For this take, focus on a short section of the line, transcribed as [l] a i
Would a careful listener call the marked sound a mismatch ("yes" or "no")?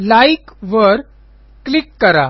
no